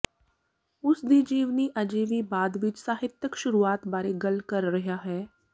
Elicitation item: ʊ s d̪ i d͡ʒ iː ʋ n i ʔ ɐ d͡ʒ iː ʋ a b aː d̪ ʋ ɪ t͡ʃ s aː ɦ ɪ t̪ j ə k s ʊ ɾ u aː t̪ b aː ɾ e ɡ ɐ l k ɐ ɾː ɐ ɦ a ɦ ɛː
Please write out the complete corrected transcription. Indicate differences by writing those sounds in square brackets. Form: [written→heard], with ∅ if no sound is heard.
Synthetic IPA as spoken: ʊ s d̪ i d͡ʒ iː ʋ n i ʔ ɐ d͡ʒ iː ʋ [a→i] b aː d̪ ʋ ɪ t͡ʃ s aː ɦ ɪ t̪ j ə k [s→ʃ] ʊ ɾ u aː t̪ b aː ɾ e ɡ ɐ l k ɐ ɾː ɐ ɦ a ɦ ɛː

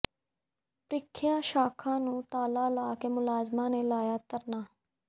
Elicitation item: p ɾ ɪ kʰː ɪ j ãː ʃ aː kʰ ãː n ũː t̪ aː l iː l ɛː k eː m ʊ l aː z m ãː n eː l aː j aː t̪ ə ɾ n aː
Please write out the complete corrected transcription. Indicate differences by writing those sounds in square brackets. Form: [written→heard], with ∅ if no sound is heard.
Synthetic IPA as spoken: p ɾ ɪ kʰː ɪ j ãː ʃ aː kʰ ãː n ũː t̪ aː l [iː→aː] l [ɛː→aː] k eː m ʊ l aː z m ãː n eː l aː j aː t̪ ə ɾ n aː

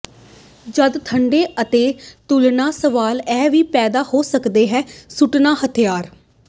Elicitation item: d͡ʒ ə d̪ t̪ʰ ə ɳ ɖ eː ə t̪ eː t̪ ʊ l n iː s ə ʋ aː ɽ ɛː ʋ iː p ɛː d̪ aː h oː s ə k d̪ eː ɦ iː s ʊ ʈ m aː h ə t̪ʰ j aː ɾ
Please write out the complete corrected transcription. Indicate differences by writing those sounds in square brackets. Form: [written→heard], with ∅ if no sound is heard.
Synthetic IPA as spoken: d͡ʒ ə d̪ t̪ʰ ə ɳ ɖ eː ə t̪ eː t̪ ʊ l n [iː→aː] s ə ʋ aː [ɽ→l] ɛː ʋ iː p ɛː d̪ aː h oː s ə k d̪ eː ɦ [iː→ɛː] s ʊ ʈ [m→n] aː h ə t̪ʰ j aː ɾ

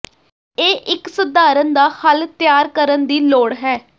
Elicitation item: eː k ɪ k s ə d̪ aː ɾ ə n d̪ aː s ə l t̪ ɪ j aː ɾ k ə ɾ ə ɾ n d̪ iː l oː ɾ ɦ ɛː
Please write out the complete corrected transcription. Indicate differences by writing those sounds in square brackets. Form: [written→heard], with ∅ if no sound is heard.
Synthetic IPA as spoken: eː [k→ʔ] ɪ k s ə d̪ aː ɾ ə n d̪ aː [s→h] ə l t̪ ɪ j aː ɾ k ə ɾ ə [ɾ→∅] n d̪ iː l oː [ɾ→ɽ] ɦ ɛː

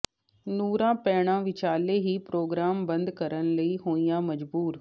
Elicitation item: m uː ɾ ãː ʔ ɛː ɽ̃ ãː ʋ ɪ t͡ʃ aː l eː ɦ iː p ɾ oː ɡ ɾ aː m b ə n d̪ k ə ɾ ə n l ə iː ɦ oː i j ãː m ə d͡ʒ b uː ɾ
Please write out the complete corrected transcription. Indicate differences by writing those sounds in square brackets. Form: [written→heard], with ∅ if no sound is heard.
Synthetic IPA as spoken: [m→n] uː ɾ ãː [ʔ→p] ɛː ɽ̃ ãː ʋ ɪ t͡ʃ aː l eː ɦ iː p ɾ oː ɡ ɾ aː m b ə n d̪ k ə ɾ ə n l ə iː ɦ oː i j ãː m ə d͡ʒ b uː ɾ

